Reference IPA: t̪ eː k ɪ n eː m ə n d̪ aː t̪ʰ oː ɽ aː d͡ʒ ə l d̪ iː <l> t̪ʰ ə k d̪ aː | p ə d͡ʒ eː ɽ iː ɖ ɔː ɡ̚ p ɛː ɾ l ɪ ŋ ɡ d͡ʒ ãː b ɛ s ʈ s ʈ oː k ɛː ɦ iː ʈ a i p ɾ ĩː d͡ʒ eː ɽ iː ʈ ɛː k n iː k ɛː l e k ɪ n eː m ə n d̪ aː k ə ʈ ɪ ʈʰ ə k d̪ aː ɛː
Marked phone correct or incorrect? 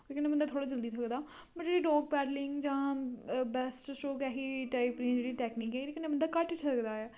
incorrect